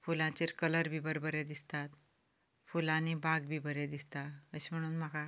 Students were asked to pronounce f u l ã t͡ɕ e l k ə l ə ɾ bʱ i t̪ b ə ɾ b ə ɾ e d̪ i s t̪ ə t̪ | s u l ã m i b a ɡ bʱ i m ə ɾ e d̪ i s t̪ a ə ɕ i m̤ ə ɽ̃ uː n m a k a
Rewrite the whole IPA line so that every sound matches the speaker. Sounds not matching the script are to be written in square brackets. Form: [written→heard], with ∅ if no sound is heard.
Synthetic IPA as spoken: f u l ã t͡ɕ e [l→ɾ] k ə l ə ɾ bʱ i [t̪→∅] b ə ɾ b ə ɾ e d̪ i s t̪ [ə→a] t̪ | [s→f] u l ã [m→n] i b a ɡ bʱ i [m→b] ə ɾ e d̪ i s t̪ a ə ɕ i m̤ ə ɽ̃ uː n m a k a